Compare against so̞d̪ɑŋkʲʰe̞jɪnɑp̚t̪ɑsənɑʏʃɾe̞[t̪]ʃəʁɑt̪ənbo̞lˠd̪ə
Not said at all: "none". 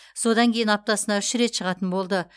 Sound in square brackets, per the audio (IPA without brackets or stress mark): t̪